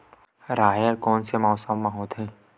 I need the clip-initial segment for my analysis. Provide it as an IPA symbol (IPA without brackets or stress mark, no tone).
ɾ